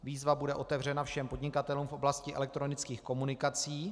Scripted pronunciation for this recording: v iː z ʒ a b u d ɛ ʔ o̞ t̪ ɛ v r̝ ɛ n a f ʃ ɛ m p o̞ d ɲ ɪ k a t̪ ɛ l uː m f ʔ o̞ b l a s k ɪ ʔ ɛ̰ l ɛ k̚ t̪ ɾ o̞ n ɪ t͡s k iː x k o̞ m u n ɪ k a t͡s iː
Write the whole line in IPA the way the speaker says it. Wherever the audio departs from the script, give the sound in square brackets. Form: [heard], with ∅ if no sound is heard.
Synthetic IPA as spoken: v iː z [v] a b u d ɛ ʔ o̞ t̪ ɛ v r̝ ɛ n a f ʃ ɛ m p o̞ d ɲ ɪ k a t̪ ɛ l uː m f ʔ o̞ b l a s [c] ɪ ʔ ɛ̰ l ɛ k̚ t̪ ɾ o̞ n ɪ t͡s k iː x k o̞ m u n ɪ k a t͡s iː